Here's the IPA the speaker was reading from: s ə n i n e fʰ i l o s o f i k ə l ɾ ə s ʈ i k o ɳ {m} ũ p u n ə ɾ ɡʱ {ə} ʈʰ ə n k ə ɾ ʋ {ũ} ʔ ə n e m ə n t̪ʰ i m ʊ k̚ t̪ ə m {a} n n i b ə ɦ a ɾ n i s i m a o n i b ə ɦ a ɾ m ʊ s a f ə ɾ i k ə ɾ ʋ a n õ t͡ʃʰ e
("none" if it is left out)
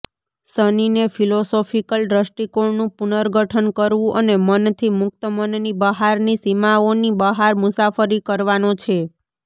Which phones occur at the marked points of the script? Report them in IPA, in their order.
n, ə, ũ, ə

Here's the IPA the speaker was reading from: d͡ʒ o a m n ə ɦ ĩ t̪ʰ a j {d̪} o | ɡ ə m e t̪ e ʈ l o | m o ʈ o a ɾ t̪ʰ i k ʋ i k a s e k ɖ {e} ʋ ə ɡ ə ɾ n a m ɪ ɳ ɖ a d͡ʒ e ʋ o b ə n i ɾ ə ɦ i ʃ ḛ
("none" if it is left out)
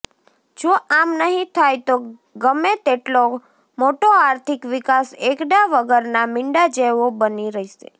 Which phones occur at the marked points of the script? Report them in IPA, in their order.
t̪, a

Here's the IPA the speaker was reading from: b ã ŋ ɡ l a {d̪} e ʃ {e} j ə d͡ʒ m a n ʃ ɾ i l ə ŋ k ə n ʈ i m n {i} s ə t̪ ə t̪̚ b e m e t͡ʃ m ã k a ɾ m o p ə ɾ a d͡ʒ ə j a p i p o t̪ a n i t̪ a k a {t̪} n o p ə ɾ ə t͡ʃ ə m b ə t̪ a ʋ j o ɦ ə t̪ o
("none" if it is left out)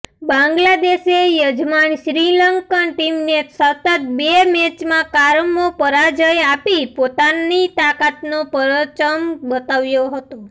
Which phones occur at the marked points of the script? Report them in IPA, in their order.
d̪, e, e, t̪

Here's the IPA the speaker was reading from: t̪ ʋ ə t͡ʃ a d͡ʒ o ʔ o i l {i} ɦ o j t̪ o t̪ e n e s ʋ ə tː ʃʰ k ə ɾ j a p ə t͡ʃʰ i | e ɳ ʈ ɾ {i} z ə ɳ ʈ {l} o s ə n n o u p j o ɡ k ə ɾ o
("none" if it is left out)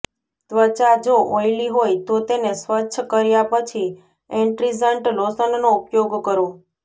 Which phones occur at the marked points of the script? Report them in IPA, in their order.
i, i, l

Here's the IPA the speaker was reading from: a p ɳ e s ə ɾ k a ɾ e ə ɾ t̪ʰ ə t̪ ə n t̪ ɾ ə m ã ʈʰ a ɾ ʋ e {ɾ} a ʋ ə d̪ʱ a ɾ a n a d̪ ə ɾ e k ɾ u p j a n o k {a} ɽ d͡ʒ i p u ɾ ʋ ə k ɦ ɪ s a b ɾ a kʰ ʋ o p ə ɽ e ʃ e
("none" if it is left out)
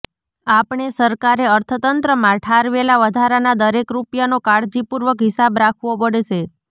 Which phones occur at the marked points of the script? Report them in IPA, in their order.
l, a

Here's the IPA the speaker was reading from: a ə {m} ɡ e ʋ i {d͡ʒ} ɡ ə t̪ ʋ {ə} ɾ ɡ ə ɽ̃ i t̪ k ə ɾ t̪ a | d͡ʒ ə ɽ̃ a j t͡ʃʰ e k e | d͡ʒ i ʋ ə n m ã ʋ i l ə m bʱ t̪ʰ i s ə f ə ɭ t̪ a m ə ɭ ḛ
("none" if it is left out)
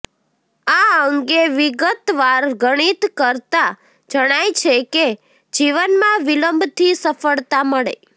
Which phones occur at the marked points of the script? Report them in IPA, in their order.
ŋ, none, a

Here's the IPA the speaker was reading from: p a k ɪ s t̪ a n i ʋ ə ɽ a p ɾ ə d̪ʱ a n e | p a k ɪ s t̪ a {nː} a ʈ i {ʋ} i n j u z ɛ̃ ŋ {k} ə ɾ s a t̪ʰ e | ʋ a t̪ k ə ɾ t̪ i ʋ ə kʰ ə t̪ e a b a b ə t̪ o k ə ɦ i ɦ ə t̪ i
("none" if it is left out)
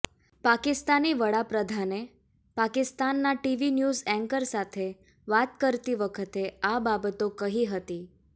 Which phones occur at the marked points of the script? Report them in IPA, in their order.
nː, ʋ, k

